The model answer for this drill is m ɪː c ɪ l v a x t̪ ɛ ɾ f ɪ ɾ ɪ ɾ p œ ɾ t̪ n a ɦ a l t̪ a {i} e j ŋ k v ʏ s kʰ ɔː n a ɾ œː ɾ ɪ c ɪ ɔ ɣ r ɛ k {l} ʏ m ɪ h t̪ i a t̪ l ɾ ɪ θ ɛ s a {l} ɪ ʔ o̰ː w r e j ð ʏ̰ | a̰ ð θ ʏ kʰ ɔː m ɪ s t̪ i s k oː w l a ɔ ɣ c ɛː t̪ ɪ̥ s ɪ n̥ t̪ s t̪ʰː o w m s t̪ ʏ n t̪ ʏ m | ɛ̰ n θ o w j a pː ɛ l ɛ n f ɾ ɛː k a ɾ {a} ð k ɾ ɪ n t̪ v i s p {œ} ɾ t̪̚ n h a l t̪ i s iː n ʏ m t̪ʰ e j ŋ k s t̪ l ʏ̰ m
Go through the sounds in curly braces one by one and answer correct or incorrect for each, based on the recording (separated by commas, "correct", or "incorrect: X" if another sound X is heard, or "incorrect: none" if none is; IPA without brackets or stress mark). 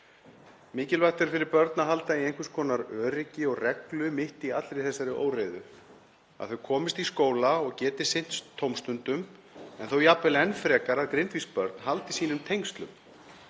correct, correct, incorrect: ɾ, correct, correct